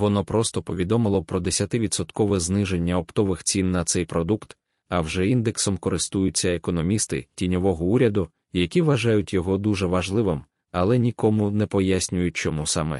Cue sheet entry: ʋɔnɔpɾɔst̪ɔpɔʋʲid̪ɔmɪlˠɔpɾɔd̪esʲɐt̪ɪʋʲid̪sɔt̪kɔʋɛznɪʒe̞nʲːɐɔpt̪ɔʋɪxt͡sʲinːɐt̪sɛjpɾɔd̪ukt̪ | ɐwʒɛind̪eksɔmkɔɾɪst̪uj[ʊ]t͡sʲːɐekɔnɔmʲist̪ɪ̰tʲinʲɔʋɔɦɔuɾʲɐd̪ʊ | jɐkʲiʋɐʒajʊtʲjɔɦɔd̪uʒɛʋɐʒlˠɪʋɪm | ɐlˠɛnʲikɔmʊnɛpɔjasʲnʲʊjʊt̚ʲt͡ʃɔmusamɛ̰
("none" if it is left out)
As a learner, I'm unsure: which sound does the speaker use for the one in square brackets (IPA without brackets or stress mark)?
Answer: ʊ